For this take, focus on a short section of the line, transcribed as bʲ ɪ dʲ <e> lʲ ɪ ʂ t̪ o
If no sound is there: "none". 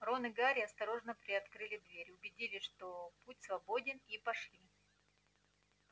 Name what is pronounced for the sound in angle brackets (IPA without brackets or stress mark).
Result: i